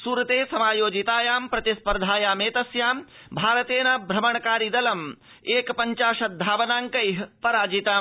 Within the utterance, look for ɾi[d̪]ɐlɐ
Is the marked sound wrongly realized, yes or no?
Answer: no